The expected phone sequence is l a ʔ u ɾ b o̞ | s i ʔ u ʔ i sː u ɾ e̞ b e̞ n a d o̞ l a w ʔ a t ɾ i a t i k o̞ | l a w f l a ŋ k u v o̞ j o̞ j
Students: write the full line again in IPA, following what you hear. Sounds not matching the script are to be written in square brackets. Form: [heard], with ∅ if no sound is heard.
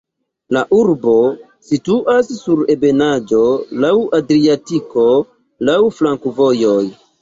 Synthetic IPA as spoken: l a ʔ u ɾ b o̞ | s i [t] u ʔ [a] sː u ɾ e̞ b e̞ n a [d͡ʒ] o̞ l a w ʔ a [d] ɾ i a t i k o̞ | l a w f l a ŋ k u v o̞ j o̞ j